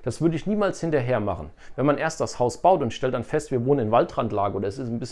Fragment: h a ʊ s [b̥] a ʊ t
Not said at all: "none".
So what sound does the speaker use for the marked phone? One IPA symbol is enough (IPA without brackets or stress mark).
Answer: b̥